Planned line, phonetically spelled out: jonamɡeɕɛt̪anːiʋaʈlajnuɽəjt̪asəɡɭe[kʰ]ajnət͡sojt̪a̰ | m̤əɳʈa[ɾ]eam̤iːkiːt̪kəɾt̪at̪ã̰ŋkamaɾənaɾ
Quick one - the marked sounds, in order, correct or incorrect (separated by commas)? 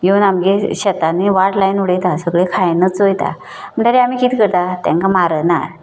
correct, correct